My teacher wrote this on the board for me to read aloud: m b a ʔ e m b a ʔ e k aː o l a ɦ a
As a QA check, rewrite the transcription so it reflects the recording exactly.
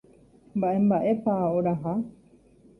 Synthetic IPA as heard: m b a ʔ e m b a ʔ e p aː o ɾ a ɦ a